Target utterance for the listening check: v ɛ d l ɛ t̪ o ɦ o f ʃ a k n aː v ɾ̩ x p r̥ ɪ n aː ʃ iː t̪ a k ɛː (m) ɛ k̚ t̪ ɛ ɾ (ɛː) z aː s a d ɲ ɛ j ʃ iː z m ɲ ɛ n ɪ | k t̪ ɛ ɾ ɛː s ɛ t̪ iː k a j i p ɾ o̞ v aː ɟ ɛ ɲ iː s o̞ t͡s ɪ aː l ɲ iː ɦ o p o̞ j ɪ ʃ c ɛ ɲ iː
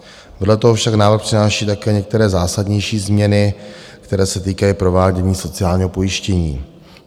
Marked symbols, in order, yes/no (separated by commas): no, yes